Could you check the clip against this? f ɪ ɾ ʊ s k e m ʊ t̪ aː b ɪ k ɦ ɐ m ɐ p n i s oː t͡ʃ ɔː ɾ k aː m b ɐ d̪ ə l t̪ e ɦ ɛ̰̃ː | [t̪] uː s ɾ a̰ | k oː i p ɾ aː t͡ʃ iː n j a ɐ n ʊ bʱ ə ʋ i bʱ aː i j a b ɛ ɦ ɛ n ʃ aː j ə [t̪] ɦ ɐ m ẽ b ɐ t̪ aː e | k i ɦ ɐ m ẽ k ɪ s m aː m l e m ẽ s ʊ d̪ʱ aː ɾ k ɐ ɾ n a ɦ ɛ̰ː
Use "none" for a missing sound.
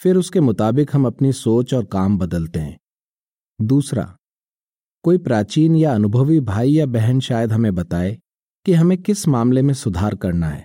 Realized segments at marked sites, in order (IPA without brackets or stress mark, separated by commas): d̪, d̪